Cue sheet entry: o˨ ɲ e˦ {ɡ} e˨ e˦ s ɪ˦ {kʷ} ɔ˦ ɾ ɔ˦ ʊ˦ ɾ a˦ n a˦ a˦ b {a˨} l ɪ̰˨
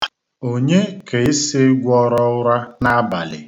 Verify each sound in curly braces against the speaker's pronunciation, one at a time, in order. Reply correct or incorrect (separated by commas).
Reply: incorrect, incorrect, correct